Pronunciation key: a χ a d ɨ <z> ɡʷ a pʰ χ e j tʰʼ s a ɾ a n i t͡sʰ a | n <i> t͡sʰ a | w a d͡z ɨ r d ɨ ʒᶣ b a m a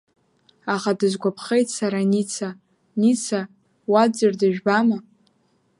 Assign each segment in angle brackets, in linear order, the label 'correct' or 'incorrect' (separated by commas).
correct, correct